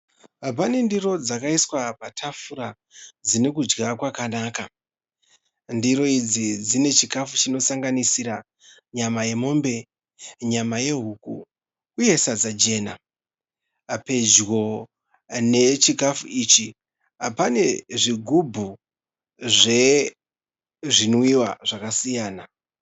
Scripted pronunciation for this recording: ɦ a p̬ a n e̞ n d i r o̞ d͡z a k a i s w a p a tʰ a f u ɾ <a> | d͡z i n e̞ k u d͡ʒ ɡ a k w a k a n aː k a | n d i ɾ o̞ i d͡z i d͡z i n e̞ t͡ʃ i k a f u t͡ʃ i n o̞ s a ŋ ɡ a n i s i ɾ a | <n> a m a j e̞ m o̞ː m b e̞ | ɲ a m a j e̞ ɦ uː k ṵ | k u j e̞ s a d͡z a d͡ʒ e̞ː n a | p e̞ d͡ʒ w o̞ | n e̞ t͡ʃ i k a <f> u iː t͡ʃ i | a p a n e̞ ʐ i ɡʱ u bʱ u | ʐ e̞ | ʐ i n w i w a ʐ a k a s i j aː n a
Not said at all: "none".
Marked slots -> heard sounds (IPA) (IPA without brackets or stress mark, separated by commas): a, ɲ, f